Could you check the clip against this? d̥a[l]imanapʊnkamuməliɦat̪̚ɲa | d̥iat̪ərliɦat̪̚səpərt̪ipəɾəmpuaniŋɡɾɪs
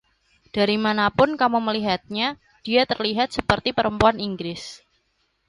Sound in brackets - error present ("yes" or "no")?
yes